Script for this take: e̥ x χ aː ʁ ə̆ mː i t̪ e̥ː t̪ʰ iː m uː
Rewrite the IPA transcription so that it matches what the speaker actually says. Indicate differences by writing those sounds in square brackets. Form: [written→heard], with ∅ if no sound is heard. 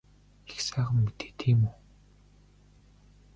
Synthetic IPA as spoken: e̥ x [χ→s] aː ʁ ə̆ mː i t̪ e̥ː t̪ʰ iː m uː